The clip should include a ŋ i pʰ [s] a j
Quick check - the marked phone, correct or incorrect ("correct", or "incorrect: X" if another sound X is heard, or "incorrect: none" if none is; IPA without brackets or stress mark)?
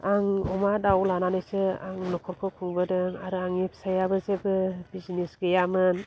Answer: correct